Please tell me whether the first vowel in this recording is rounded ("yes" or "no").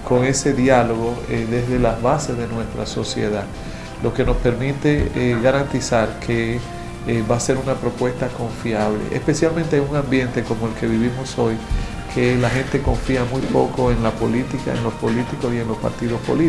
yes